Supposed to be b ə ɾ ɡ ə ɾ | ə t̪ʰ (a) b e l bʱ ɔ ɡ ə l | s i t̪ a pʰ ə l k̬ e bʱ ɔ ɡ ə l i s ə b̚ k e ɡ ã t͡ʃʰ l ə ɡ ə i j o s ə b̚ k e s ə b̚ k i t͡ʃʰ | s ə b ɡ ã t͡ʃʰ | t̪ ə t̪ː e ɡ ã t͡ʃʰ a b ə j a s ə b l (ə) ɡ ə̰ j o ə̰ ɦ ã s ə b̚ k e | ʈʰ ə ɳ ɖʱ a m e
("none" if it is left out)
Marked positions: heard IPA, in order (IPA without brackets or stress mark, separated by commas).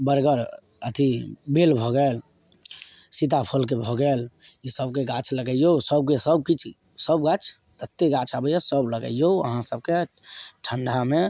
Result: i, ə